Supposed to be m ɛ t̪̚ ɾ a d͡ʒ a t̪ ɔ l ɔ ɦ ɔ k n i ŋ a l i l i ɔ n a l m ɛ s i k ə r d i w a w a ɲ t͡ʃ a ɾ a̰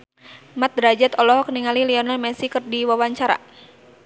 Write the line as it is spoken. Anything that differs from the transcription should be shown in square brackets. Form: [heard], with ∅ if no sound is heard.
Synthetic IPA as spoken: m [a] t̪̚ ɾ a d͡ʒ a t̪ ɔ l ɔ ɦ ɔ k n i ŋ a l i l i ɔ n a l m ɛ s i k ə r d i w a w a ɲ t͡ʃ a ɾ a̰